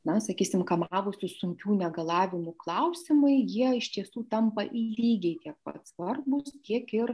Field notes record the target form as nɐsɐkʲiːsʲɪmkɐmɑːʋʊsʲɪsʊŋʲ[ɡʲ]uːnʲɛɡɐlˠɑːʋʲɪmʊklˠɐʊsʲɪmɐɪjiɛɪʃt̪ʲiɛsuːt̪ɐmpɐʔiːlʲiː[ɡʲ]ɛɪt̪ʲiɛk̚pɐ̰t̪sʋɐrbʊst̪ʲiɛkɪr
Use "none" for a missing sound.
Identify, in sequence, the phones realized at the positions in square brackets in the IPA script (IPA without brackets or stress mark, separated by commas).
kʲ, ɡʲ